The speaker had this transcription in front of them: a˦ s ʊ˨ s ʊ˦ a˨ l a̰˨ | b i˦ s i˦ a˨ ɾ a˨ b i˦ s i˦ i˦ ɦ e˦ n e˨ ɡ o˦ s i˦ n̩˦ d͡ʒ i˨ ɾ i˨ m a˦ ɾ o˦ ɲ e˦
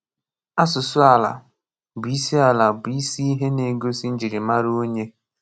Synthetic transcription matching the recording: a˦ s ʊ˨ s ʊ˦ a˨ l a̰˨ | b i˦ s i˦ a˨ l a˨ b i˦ s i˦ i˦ ɦ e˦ n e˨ ɡ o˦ s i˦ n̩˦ d͡ʒ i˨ ɾ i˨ m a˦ ɾ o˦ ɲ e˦